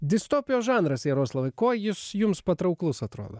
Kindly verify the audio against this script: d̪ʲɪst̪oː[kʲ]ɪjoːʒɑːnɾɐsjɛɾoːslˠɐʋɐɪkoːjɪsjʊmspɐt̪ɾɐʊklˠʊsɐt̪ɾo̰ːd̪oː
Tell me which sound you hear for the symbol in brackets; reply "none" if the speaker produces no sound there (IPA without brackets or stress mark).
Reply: pʲ